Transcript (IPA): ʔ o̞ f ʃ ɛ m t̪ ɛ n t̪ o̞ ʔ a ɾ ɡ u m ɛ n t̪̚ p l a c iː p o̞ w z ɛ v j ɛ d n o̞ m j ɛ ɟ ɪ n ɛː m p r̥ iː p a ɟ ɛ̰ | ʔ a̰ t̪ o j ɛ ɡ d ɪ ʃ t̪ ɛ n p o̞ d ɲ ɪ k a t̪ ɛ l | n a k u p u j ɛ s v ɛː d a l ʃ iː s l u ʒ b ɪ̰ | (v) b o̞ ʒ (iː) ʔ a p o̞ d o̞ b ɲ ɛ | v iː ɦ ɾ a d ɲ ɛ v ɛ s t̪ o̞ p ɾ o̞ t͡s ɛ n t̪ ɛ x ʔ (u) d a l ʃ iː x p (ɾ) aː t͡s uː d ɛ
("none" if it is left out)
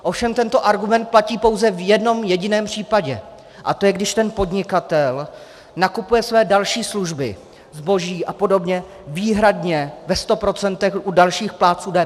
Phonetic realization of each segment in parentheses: z, iː, u, l

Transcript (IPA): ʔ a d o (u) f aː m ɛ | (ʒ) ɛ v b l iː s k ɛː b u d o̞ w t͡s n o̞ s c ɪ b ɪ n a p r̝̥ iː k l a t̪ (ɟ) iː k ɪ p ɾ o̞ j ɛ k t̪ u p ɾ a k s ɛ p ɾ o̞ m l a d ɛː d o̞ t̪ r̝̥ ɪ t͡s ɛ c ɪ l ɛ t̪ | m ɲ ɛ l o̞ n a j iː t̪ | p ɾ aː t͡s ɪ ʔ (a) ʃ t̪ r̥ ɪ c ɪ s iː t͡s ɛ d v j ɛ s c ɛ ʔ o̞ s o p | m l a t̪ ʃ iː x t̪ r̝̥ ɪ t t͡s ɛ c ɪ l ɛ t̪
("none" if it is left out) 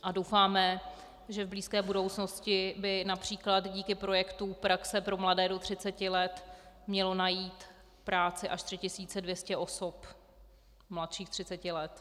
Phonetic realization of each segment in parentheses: w, ʒ, ɟ, a

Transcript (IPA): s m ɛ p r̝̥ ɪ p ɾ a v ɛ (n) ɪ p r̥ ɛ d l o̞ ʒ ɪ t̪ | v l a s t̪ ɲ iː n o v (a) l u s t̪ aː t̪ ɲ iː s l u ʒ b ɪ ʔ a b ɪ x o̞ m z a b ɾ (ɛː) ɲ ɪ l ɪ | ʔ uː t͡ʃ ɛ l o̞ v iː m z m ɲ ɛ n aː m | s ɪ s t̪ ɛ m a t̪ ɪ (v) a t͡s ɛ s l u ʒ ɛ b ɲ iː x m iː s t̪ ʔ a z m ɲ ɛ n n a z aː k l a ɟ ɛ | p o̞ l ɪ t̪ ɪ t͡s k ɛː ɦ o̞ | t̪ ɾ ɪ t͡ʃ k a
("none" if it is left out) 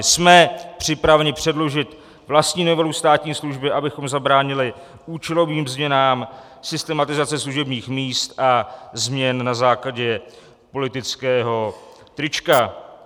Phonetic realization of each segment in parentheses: ɲ, ɛ, aː, z

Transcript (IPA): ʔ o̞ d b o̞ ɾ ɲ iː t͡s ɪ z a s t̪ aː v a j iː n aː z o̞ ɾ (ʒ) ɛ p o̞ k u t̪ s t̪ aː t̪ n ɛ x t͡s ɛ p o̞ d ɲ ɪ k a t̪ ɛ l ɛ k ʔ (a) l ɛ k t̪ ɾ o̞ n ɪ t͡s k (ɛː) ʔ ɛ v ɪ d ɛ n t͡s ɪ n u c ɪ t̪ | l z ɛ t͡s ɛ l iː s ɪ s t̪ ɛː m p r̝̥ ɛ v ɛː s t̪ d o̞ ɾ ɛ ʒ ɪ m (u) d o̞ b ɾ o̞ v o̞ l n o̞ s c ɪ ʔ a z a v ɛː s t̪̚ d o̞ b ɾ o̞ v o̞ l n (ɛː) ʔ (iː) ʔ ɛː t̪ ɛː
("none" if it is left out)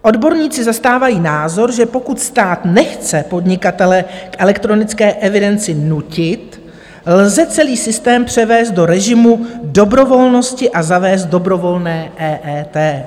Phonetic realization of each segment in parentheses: ʒ, ɛ, ɛː, u, ɛː, ɛː

